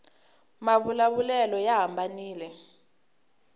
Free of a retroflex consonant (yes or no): yes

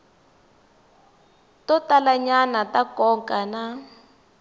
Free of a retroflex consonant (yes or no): yes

